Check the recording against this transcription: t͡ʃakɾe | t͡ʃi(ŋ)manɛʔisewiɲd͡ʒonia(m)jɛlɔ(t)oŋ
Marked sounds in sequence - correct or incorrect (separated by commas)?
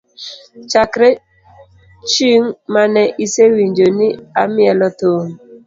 correct, correct, correct